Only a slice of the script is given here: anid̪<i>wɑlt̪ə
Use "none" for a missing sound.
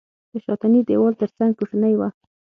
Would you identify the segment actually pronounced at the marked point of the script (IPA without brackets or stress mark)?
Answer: e